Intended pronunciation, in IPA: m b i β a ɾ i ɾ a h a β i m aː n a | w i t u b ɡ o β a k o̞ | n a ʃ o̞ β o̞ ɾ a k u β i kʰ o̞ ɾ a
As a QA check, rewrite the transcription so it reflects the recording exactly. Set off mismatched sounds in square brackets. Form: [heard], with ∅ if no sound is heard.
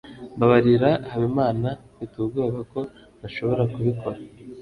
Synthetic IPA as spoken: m b [a] β a ɾ i ɾ a h a β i m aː n a | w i t u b ɡ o β a k o̞ | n a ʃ o̞ β o̞ ɾ a k u β i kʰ o̞ ɾ a